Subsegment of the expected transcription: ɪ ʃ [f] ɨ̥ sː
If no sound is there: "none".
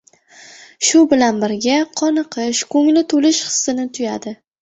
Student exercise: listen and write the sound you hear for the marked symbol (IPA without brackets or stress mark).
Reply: χ